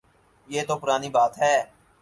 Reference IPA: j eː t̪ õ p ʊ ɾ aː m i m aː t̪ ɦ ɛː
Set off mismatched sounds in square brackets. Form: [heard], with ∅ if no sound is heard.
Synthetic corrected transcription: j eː t̪ [o] p ʊ ɾ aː [n] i [b] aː t̪ ɦ ɛː